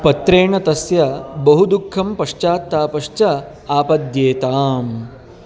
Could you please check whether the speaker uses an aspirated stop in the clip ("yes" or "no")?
yes